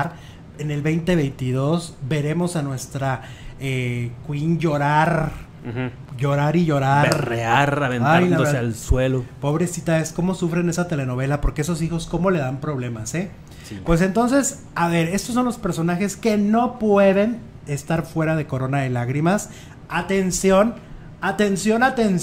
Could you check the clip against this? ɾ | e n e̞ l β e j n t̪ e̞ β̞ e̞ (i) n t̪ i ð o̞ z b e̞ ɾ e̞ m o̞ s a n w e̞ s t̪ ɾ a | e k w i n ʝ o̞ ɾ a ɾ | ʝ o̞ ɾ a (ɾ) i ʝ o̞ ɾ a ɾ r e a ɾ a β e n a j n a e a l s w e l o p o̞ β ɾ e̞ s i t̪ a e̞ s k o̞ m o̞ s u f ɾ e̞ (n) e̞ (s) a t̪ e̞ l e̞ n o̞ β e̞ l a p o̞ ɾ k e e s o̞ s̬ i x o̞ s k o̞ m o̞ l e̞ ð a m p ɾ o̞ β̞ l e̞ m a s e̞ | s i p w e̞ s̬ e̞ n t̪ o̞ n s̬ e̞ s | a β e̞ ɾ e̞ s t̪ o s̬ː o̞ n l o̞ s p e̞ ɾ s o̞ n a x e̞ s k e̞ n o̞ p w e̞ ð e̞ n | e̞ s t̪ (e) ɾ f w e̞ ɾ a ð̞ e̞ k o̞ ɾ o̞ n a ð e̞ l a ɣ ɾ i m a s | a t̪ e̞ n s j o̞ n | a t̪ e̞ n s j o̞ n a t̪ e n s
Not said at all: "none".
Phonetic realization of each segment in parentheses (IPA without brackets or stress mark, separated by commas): j, ɾ, n, s, a